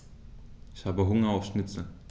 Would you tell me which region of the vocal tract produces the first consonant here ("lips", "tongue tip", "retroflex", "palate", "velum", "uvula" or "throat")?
palate